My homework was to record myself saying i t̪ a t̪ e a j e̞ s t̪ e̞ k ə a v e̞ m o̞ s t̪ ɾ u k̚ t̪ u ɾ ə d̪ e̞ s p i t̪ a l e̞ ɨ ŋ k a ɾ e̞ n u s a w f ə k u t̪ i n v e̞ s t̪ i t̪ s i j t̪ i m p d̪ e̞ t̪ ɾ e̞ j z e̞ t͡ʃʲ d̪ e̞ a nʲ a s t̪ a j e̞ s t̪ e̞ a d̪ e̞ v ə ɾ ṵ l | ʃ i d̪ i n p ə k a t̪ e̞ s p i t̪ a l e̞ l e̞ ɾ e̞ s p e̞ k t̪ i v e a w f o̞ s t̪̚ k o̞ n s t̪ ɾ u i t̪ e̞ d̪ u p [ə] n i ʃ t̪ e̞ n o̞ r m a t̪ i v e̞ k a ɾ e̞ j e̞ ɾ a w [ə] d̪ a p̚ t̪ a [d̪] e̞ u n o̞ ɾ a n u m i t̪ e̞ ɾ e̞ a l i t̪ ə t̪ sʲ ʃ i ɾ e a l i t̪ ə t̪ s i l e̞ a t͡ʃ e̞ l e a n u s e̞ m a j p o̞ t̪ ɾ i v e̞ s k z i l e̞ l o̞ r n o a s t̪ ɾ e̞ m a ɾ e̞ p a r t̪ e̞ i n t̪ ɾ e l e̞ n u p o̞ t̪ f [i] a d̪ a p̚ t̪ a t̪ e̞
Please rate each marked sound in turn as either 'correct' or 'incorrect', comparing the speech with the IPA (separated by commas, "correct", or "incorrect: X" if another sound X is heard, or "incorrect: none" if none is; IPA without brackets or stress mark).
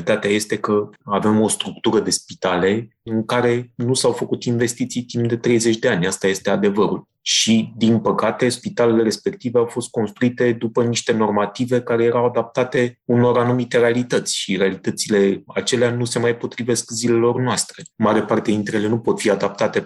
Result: correct, incorrect: a, incorrect: t̪, correct